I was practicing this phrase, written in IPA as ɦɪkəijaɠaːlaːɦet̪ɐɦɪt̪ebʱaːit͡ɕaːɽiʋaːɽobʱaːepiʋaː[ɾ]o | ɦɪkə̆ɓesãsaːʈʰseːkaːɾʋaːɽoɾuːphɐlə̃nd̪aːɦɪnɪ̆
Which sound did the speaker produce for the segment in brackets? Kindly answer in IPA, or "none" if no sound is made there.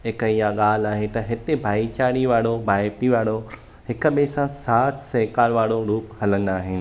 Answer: ɽ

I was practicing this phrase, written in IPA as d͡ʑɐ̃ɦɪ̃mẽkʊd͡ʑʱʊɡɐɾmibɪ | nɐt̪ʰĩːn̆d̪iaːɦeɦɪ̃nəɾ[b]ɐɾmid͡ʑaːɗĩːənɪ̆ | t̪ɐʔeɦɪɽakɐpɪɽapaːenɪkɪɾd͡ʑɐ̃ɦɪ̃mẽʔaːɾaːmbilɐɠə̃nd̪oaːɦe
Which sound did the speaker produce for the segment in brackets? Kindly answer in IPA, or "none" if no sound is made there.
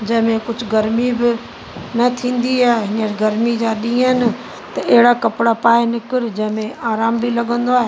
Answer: ɡ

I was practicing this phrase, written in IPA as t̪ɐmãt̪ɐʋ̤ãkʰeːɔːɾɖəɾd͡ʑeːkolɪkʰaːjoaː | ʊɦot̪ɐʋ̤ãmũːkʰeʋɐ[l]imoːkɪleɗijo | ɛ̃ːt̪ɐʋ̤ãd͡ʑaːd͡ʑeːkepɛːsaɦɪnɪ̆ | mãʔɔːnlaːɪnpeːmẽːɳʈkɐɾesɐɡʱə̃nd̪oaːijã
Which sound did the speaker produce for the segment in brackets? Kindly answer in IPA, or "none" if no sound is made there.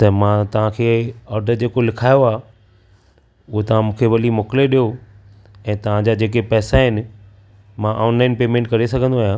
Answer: l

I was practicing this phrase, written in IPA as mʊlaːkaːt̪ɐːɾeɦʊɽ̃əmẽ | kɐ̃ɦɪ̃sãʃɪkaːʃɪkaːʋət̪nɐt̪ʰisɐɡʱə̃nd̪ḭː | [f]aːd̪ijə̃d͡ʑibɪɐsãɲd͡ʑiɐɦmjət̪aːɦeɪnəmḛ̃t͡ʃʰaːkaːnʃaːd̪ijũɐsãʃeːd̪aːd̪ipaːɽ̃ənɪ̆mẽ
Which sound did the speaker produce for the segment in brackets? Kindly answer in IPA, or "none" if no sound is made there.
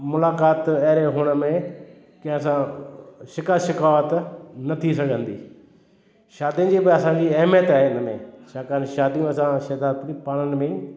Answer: ʃ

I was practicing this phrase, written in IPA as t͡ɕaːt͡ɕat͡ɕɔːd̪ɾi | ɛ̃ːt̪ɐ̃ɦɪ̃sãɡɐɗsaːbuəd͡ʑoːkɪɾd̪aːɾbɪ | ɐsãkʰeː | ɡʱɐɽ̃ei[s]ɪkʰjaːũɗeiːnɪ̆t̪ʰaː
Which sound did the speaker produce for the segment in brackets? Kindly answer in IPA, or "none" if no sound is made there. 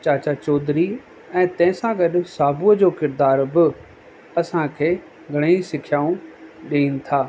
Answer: s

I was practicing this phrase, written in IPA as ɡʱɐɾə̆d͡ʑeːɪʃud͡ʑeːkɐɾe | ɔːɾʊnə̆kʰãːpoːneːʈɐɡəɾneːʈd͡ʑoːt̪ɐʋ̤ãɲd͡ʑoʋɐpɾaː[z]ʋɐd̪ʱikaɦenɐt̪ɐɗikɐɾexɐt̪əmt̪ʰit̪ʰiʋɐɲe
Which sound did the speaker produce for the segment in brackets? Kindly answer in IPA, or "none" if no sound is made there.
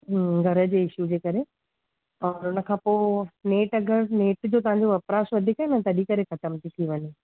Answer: s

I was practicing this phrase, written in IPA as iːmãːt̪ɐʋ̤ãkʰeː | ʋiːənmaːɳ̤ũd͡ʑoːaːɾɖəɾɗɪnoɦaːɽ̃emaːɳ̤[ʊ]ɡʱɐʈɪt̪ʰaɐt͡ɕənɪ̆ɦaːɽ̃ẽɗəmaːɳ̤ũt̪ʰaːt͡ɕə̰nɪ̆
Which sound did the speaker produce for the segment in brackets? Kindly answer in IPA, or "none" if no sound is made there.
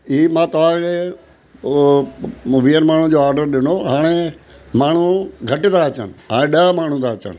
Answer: u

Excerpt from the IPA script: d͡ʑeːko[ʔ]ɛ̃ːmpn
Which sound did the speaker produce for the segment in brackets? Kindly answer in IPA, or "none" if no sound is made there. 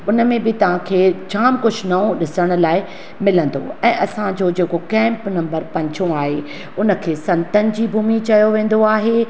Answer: k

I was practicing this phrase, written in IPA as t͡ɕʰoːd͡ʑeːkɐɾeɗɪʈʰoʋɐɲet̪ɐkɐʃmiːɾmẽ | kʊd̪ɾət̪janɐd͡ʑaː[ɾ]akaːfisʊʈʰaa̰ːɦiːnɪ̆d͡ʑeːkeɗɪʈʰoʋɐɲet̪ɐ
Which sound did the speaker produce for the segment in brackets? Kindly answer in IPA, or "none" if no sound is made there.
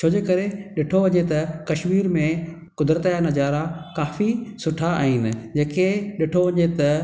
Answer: ɾ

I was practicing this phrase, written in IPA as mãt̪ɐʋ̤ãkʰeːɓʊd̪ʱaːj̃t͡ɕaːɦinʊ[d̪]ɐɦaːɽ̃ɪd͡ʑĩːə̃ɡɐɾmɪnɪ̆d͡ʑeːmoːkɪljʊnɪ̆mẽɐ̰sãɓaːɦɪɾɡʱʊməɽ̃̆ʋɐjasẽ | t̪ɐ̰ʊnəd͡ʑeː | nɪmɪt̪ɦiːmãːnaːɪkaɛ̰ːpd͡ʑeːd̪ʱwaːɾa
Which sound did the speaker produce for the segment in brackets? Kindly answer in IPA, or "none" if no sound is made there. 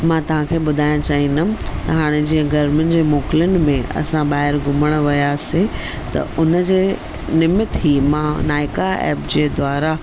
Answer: t̪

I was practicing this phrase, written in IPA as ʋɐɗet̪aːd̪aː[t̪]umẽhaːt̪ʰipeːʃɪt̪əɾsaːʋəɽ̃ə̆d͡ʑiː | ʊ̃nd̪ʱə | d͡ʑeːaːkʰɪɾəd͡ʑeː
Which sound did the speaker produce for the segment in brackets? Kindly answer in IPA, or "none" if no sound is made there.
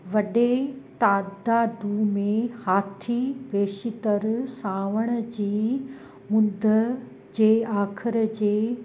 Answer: d̪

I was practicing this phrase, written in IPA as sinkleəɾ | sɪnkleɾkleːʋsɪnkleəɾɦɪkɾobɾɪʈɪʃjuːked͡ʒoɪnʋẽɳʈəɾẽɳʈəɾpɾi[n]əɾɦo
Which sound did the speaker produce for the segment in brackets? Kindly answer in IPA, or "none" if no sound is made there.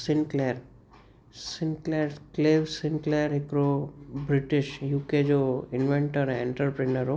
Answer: n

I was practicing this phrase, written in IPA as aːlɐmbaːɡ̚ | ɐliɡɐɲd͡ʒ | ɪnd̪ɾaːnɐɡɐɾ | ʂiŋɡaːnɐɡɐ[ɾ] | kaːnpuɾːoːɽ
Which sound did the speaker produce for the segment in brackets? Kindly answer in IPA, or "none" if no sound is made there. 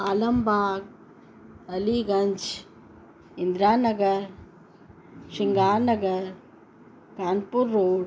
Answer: ɾ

